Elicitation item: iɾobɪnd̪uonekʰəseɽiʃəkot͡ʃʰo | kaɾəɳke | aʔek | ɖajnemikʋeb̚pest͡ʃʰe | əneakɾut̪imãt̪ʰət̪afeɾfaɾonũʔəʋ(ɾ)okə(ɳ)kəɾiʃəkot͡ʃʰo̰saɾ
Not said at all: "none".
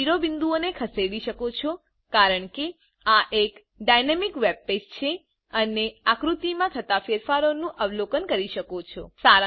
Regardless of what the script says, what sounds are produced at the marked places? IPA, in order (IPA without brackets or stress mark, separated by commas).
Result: l, n